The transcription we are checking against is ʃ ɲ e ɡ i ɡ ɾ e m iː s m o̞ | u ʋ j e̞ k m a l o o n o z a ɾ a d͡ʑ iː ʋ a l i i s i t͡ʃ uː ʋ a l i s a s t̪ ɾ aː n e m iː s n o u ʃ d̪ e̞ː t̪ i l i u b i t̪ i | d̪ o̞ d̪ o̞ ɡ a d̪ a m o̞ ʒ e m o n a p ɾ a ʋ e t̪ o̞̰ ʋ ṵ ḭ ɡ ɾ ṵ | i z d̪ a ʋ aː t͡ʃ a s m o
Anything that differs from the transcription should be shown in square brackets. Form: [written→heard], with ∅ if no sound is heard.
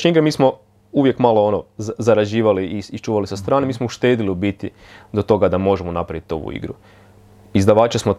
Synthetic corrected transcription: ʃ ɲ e [ɡ→∅] i ɡ ɾ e m iː s m o̞ | u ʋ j e̞ k m a l o o n o z a ɾ a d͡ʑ iː ʋ a l i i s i t͡ʃ uː ʋ a l i s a s t̪ ɾ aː n e m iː s [n→m] o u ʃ [d̪→t̪] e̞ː [t̪→d̪] i l i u b i t̪ i | d̪ o̞ [d̪→t̪] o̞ ɡ a d̪ a m o̞ ʒ e m o n a p ɾ a ʋ [e→i] t̪ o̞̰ ʋ ṵ ḭ ɡ ɾ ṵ | i z d̪ a ʋ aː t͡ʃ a s m o